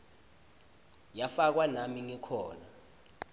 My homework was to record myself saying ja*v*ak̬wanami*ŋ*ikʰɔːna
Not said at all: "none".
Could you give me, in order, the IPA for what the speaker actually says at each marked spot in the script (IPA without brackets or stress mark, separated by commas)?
f, ŋ